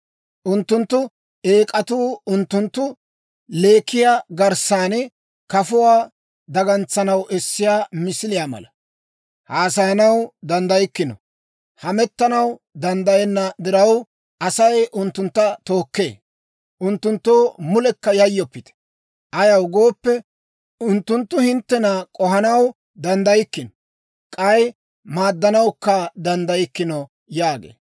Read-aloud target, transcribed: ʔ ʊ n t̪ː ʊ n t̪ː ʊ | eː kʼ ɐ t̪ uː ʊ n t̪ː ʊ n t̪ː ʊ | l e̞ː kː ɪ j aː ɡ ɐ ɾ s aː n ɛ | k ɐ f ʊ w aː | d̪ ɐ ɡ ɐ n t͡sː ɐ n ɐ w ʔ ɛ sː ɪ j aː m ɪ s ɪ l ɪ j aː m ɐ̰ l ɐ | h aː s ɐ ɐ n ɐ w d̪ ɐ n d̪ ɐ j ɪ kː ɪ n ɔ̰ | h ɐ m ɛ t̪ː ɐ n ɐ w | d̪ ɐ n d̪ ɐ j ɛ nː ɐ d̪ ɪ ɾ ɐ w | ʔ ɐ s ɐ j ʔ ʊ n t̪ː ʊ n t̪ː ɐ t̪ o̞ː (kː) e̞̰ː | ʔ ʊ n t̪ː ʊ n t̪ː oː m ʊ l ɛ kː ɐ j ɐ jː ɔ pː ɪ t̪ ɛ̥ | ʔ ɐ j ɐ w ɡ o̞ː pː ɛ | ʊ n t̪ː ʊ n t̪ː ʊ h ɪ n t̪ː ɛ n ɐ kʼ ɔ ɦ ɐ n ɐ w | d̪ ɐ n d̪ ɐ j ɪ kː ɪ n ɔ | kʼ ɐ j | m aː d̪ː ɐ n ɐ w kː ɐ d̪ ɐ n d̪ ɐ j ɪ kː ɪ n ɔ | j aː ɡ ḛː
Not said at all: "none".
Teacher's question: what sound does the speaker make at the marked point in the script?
kː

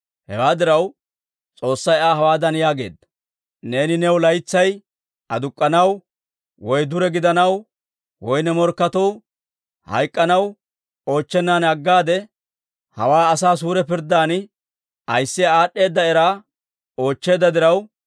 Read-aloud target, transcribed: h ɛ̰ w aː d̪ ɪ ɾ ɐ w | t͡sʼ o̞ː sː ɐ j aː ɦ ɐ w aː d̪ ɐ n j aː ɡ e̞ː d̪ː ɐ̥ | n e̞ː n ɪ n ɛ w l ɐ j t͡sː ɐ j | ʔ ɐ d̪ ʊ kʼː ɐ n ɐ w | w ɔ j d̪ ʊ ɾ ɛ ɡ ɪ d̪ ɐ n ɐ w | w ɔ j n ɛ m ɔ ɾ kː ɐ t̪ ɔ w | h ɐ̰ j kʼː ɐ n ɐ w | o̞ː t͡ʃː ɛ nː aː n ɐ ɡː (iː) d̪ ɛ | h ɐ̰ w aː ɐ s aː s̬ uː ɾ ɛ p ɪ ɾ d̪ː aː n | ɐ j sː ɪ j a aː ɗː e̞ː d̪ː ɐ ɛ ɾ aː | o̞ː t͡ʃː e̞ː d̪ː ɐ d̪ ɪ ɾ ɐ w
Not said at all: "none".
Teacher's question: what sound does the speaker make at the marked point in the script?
aː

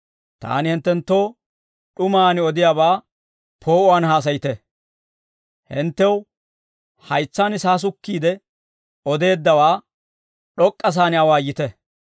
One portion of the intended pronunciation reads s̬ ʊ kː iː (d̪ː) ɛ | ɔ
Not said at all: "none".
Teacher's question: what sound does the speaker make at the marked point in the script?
d̪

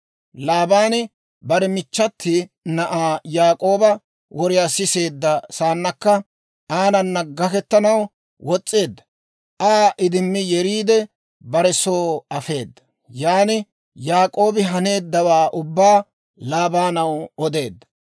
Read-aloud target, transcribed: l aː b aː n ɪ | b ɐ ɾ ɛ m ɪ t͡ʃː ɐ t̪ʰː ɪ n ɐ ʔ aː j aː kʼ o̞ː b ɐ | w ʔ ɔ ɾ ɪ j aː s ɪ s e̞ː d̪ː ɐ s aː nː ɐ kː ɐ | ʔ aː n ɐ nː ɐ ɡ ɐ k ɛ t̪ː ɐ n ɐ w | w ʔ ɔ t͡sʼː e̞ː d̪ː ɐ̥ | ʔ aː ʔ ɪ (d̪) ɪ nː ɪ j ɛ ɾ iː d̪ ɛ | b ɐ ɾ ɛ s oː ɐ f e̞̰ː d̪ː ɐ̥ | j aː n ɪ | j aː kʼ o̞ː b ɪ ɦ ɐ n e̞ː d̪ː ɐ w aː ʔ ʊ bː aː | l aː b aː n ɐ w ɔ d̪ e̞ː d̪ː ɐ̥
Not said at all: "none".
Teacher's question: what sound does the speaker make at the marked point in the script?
d̪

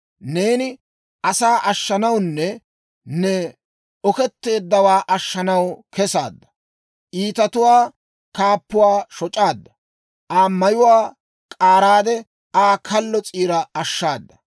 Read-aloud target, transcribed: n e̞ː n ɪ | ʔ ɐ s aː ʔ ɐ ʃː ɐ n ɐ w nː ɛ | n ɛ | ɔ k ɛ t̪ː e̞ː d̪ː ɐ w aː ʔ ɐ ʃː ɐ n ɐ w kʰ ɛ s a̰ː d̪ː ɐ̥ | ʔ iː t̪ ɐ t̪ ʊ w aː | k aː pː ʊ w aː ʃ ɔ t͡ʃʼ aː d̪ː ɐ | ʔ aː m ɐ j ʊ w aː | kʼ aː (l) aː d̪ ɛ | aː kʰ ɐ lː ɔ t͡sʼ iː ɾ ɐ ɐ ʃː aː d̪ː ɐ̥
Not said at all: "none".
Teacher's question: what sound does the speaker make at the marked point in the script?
ɾ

